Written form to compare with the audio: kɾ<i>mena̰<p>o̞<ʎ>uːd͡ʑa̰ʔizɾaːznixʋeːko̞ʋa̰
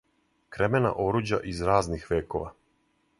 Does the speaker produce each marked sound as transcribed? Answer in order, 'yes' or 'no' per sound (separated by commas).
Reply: no, no, no